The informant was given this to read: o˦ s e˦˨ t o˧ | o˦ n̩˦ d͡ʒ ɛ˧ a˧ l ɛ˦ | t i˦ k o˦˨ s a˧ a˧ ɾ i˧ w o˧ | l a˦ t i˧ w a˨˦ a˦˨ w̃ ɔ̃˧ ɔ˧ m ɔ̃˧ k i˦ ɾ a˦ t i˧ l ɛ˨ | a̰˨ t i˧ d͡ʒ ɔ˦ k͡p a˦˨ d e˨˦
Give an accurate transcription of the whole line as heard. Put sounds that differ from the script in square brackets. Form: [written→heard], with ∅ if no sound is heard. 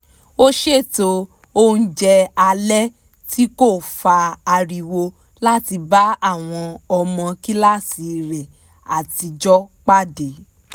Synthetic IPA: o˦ [s→ʃ] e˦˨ t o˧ | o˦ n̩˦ d͡ʒ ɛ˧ a˧ l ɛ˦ | t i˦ k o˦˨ [s→f] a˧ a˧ ɾ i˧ w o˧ | l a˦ t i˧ [w→b] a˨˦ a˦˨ w̃ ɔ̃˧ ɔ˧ m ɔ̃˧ k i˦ [ɾ→l] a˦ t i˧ [l→ɾ] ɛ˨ | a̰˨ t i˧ d͡ʒ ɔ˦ k͡p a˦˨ d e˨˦